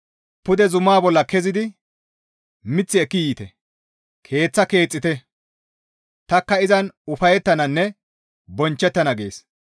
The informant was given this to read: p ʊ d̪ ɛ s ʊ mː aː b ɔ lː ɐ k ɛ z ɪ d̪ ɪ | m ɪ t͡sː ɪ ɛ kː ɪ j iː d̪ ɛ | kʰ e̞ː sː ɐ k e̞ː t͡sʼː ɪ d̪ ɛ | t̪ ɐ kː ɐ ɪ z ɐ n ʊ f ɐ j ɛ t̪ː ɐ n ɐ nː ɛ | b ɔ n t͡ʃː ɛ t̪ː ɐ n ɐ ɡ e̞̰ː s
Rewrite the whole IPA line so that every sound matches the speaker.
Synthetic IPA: p ʊ d̪ ɛ z ʊ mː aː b ɔ lː ɐ k ɛ z ɪ d̪ ɪ | m ɪ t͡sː ɪ ɛ kː ɪ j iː t̪ ɛ | kʰ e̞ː t͡sː ɐ k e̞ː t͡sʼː ɪ t̪ ɛ | t̪ ɐ kː ɐ ɪ z ɐ n ʊ f ɐ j ɛ t̪ː ɐ n ɐ nː ɛ | b ɔ n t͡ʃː ɛ t̪ː ɐ n ɐ ɡ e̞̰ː s